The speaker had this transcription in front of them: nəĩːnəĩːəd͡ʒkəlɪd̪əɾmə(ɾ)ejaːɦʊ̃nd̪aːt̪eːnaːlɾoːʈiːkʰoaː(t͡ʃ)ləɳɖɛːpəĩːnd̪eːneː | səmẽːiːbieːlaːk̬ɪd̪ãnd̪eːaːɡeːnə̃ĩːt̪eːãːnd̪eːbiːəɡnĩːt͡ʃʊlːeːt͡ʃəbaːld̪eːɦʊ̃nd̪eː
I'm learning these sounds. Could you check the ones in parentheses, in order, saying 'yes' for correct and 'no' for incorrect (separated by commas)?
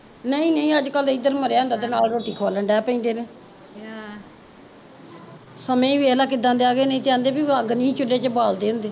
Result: yes, no